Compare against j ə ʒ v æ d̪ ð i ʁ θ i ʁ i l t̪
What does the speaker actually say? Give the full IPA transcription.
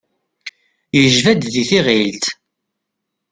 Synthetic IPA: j ə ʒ v æ d̪ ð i θ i ʁ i l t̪